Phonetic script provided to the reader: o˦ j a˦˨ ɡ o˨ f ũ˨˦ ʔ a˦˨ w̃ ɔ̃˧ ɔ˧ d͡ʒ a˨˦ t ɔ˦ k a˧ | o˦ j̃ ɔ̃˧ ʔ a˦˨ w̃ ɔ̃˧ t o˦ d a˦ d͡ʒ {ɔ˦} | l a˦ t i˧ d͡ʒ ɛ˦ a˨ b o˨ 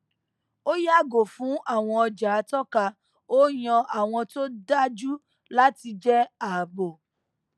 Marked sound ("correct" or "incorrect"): incorrect